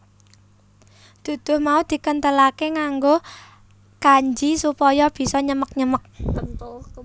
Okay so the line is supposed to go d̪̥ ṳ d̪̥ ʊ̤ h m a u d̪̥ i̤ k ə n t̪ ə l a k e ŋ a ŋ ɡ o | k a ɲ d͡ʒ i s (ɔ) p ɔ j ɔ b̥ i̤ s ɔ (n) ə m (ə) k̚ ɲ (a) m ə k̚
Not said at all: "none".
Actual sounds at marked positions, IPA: u, ɲ, ə, ə

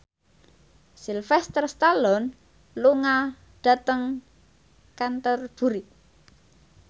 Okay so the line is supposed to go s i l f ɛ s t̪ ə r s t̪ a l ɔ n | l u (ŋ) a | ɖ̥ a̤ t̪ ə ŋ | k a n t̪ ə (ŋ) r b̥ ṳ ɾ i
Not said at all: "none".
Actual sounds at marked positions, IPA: ŋ, none

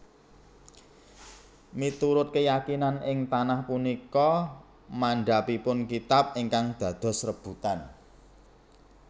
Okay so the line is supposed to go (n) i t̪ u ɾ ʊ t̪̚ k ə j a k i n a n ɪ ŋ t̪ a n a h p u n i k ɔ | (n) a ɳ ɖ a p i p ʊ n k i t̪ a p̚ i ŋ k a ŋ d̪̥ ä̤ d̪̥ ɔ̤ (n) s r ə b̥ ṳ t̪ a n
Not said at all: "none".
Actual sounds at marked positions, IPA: m, m, none

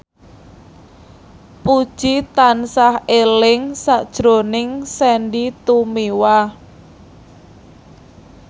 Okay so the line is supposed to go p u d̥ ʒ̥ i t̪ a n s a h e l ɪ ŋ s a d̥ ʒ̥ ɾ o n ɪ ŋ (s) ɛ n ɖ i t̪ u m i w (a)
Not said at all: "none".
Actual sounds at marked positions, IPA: s, a

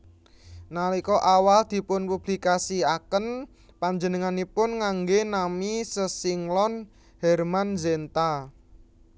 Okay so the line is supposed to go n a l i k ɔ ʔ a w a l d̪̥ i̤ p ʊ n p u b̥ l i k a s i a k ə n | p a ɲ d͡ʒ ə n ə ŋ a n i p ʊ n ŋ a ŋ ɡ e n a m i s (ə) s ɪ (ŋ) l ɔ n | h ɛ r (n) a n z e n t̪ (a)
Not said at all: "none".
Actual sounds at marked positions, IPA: ə, ŋ, m, a

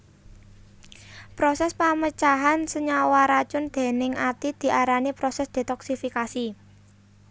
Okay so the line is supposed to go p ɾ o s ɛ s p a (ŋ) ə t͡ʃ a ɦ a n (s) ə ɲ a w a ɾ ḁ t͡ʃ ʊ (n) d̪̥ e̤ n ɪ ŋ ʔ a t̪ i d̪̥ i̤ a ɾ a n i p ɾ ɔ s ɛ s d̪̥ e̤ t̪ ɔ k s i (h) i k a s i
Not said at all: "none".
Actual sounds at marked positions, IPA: m, s, n, f

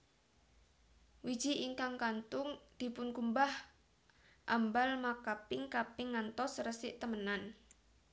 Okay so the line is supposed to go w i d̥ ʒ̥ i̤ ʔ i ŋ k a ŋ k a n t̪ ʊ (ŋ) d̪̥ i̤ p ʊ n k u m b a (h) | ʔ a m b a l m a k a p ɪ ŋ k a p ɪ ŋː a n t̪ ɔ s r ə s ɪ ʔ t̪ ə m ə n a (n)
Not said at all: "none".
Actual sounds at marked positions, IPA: ŋ, h, n

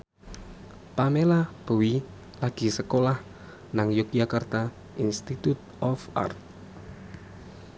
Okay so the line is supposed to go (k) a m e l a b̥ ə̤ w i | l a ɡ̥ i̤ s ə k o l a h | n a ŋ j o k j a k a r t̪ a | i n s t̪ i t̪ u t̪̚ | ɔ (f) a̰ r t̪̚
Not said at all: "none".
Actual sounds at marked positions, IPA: p, f

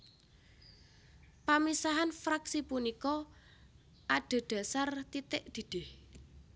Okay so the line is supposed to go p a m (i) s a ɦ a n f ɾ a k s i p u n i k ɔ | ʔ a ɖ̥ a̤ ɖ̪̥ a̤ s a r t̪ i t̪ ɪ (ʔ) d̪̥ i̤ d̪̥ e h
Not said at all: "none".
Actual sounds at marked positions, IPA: i, ʔ

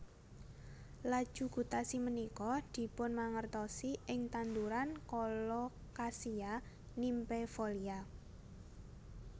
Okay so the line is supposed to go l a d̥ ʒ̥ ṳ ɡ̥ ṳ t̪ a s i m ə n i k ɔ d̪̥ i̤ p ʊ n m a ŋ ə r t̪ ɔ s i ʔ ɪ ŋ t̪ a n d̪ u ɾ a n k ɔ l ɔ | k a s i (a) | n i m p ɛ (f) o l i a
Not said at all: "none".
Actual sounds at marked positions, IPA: a, f

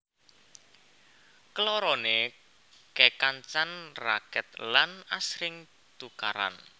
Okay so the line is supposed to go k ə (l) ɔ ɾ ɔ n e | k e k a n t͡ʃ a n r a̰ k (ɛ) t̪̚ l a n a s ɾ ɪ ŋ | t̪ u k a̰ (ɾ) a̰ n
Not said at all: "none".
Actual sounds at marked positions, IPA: l, ɛ, ɾ

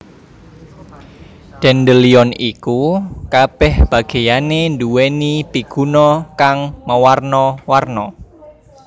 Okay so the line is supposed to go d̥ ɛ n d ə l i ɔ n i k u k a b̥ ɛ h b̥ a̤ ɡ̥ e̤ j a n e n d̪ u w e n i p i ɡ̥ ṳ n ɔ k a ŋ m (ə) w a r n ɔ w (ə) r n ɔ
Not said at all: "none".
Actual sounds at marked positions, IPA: ə, a

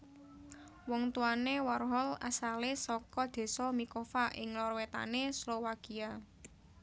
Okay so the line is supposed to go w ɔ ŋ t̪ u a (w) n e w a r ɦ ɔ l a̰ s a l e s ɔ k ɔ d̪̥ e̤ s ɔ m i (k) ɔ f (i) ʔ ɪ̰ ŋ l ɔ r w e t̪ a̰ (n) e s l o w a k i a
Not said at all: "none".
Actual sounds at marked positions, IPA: none, k, a, n

